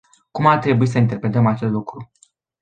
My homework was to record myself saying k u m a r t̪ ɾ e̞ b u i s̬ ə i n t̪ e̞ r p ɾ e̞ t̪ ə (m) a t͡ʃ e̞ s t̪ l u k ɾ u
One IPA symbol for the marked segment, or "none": m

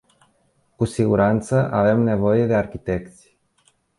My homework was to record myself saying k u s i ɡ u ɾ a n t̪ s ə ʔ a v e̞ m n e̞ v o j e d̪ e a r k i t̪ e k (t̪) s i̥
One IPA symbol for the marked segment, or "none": t̪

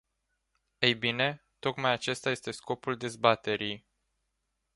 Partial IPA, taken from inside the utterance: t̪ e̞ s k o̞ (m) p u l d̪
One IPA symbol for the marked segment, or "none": none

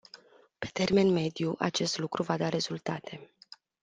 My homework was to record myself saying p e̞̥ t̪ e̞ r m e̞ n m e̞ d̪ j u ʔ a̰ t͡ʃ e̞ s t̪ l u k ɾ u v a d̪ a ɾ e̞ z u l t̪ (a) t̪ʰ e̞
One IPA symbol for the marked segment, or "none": a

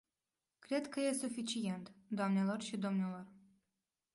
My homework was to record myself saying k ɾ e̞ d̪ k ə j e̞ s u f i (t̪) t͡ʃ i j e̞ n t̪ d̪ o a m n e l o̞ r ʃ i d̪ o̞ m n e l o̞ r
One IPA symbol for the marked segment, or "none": none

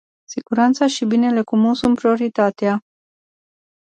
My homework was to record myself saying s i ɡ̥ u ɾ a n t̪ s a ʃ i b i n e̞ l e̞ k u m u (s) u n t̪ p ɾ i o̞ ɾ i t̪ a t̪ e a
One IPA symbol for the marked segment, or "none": s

